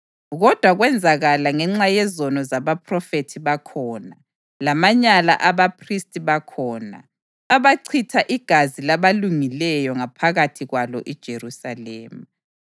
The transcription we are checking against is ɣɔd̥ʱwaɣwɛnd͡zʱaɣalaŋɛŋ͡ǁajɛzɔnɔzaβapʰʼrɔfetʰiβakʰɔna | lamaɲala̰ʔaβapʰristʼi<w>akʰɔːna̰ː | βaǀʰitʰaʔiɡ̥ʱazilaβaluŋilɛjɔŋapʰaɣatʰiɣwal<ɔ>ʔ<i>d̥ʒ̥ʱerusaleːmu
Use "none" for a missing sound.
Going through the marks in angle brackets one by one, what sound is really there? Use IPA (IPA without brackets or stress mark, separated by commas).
β, ɔ, i